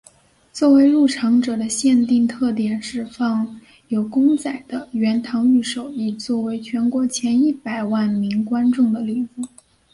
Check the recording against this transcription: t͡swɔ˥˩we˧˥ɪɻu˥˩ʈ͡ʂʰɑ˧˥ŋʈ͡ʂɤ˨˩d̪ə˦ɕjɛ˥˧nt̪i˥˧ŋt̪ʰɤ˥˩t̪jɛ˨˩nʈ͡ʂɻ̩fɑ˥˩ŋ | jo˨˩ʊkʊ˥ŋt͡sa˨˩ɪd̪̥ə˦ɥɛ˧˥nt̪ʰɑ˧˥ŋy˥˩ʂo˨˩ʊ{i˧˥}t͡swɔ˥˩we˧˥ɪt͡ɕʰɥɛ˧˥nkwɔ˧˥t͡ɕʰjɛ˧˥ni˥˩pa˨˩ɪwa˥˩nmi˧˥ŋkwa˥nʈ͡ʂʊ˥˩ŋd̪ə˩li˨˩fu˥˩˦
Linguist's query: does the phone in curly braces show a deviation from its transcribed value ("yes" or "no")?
yes